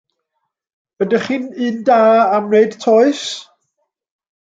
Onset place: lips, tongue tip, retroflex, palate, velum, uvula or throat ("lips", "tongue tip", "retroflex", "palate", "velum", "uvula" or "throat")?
tongue tip